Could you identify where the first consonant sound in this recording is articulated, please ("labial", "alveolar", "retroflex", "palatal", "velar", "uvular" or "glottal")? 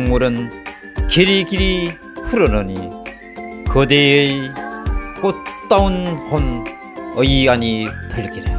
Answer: velar